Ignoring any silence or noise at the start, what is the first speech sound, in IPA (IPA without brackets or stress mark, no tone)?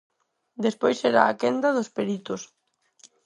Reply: d̪